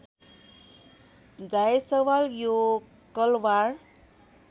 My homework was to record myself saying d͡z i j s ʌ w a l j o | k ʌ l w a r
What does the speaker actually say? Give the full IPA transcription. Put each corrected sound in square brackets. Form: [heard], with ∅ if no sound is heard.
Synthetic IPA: d͡z [a] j s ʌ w a l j o | k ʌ l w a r